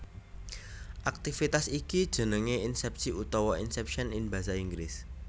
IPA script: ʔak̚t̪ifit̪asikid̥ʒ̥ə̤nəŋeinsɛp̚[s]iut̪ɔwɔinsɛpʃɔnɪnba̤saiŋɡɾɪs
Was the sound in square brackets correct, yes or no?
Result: yes